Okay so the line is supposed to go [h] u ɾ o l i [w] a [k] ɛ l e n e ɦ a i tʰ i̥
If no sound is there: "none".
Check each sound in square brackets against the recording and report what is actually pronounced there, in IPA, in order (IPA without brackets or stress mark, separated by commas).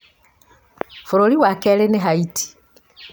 f, w, k